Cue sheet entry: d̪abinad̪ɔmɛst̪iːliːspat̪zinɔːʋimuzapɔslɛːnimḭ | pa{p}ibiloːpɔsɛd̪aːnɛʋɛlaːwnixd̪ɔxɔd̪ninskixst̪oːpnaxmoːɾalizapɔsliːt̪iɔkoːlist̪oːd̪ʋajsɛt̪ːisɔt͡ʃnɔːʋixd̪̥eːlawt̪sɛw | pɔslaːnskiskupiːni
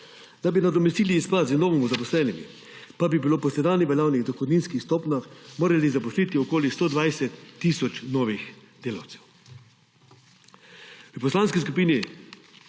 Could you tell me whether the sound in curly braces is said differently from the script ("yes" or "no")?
yes